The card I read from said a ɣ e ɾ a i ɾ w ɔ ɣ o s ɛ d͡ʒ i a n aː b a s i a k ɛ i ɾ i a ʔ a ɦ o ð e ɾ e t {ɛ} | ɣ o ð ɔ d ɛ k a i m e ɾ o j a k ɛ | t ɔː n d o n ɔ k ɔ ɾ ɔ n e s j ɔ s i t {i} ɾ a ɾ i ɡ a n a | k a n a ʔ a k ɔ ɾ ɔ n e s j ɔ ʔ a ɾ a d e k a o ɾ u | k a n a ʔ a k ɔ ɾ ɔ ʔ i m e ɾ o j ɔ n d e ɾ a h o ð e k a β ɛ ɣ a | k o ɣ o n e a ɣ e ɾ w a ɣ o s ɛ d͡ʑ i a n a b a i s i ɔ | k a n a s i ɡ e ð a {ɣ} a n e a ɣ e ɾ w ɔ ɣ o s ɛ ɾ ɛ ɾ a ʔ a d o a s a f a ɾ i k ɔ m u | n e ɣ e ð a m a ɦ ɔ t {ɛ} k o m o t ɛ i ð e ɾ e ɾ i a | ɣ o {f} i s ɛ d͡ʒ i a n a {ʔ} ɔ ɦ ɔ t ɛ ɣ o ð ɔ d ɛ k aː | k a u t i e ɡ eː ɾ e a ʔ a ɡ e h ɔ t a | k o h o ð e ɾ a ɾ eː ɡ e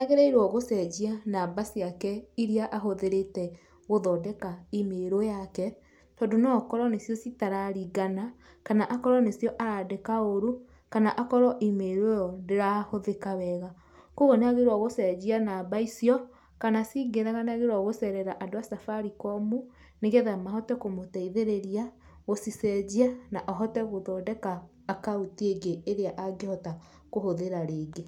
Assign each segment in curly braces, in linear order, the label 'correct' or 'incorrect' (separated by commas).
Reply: correct, incorrect, correct, correct, incorrect, correct